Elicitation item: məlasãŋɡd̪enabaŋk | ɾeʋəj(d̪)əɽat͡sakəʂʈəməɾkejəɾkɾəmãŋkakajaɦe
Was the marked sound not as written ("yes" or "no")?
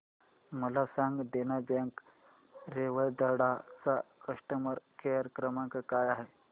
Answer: no